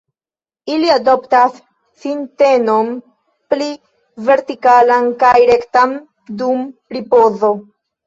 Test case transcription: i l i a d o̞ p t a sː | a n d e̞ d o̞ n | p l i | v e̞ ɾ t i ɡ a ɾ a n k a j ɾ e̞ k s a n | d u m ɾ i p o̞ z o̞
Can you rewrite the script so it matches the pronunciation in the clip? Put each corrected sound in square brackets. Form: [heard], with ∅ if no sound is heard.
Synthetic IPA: i l i a d o̞ p t a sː | [i] n [t] e̞ [n] o̞ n | p l i | v e̞ ɾ t i [k] a [l] a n k a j ɾ e̞ k [t] a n | d u m ɾ i p o̞ z o̞